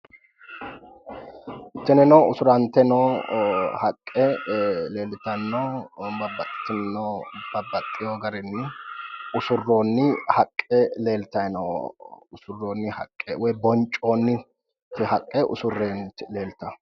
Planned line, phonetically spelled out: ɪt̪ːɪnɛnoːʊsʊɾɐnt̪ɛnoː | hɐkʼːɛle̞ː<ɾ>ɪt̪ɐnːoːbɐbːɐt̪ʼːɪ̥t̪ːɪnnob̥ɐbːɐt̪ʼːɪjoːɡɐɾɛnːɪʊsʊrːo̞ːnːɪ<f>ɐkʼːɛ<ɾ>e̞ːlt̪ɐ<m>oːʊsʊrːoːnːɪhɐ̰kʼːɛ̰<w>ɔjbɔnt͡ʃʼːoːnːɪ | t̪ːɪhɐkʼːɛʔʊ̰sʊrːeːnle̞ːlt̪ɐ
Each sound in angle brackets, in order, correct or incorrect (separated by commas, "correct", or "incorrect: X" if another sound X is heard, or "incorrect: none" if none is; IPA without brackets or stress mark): incorrect: l, incorrect: h, incorrect: l, incorrect: n, correct